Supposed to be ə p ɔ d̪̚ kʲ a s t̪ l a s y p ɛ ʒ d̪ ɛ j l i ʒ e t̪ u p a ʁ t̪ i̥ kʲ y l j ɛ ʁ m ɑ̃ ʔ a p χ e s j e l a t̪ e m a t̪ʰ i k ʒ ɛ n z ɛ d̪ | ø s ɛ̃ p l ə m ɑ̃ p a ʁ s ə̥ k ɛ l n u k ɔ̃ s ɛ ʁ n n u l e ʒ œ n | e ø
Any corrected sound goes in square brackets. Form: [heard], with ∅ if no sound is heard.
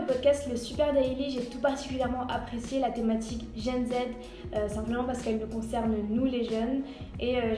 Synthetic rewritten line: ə p ɔ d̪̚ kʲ a s t̪ l [ə] s y p ɛ [ʁ] d̪ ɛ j l i ʒ e t̪ u p a ʁ t̪ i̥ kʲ y l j ɛ ʁ m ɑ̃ ʔ a p χ e s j e l a t̪ e m a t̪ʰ i k ʒ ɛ n z ɛ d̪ | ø s ɛ̃ p l ə m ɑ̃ p a ʁ s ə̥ k ɛ l n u k ɔ̃ s ɛ ʁ n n u l e ʒ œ n | e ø

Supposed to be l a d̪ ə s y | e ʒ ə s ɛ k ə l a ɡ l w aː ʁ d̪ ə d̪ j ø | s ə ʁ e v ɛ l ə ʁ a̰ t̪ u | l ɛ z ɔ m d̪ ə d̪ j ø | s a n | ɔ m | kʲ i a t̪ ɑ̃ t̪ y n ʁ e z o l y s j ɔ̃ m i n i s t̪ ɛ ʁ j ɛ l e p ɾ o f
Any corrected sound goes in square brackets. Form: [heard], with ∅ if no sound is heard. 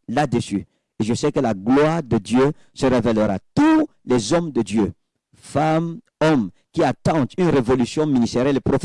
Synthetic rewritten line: l a d̪ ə s y | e ʒ ə s ɛ k ə l a ɡ l w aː ʁ d̪ ə d̪ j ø | s ə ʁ e v ɛ l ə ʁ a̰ t̪ u | l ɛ z ɔ m d̪ ə d̪ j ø | [f] a [m] | ɔ m | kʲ i a t̪ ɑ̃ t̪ y n ʁ e [v] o l y s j ɔ̃ m i n i s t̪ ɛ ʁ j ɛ l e p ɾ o f

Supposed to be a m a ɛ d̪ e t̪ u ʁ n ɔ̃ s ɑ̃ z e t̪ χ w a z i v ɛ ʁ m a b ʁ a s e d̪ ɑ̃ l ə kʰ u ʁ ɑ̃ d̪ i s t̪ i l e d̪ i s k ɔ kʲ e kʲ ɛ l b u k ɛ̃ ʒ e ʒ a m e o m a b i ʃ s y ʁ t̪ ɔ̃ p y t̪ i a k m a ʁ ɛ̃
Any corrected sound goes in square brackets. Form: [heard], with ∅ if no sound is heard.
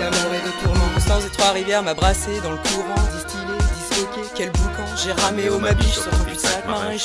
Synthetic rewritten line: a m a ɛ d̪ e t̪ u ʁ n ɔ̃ s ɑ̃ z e t̪ χ w a [ʁ] i v ɛ ʁ m a b ʁ a s e d̪ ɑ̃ l ə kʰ u ʁ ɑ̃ d̪ i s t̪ i l e d̪ i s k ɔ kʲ e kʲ ɛ l b u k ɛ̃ ʒ e [ʁ] a m e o m a b i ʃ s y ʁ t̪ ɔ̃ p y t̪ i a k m a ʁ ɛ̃

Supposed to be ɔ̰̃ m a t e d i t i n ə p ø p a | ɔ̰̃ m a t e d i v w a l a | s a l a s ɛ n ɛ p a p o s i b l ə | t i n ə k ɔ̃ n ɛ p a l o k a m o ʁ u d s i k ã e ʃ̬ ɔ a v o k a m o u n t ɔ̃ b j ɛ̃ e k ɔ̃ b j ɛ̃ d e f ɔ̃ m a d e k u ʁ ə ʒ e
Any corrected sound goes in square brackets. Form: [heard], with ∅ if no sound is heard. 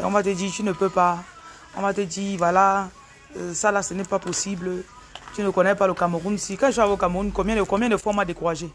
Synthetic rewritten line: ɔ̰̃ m a t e d i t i n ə p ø p a | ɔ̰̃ m a t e d i v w a l a | s a l a s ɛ n ɛ p a p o s i b l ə | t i n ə k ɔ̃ n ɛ p a l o k a m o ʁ u [n] s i k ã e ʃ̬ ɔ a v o k a m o u n [k] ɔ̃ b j ɛ̃ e k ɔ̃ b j ɛ̃ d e f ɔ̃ m a d e k u ʁ [a] ʒ e

